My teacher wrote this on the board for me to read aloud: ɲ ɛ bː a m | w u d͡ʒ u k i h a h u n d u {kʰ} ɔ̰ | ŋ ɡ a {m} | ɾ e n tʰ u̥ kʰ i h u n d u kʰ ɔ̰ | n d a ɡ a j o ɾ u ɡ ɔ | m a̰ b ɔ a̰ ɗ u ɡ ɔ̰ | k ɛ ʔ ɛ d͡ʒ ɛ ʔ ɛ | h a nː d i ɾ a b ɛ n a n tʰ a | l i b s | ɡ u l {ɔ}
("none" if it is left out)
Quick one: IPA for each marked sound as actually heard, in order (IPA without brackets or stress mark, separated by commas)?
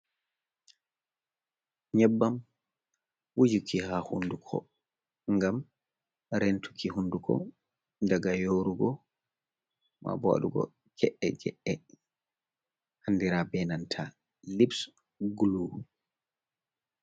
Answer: kʰ, m, u